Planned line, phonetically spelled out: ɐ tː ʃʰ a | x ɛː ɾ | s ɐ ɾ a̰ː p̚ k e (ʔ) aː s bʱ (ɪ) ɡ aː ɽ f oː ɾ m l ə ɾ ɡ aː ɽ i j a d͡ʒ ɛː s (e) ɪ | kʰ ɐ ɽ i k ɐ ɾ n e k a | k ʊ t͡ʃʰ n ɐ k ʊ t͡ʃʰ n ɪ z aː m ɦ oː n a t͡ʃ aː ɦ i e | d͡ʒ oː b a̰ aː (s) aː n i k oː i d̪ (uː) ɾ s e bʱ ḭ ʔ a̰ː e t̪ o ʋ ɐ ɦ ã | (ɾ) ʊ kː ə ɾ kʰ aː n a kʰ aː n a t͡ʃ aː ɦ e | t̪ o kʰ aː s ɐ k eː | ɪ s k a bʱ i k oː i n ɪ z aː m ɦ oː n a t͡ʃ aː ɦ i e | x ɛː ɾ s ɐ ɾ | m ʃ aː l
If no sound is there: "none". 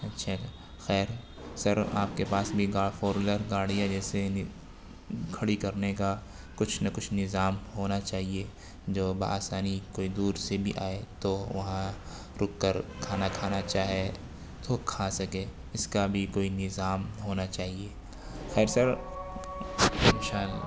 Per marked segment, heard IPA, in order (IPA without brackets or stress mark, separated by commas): p, i, e, s, uː, ɾ